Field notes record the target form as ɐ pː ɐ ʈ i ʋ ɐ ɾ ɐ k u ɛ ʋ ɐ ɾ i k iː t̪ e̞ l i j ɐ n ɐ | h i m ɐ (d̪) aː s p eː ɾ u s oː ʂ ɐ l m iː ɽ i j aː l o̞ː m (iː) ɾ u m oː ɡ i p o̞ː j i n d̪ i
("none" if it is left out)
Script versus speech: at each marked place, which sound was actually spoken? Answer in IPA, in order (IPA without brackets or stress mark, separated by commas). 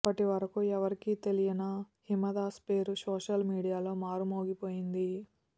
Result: d̪, aː